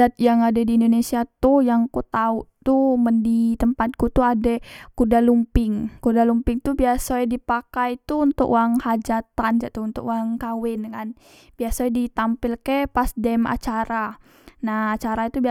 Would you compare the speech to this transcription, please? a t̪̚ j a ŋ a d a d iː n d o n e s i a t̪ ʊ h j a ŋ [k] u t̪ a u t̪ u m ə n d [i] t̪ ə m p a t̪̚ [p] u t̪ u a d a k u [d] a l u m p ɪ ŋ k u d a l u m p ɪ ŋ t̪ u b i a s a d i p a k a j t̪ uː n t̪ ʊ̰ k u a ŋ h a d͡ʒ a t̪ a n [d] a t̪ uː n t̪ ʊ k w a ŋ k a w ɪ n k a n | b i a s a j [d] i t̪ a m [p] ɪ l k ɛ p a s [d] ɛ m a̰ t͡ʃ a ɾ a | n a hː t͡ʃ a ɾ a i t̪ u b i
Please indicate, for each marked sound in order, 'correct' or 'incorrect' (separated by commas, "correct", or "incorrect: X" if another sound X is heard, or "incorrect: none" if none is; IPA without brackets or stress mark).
correct, correct, incorrect: k, correct, incorrect: d͡ʒ, correct, correct, correct